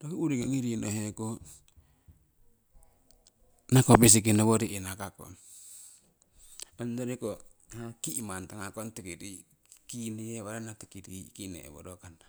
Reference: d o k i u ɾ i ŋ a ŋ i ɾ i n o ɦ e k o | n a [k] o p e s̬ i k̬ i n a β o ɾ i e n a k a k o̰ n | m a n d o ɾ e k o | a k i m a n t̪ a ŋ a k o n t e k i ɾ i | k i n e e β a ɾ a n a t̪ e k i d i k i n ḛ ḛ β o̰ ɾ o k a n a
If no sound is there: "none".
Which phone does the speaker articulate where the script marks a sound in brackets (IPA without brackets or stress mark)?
k